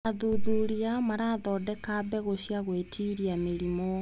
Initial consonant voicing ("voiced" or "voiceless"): voiced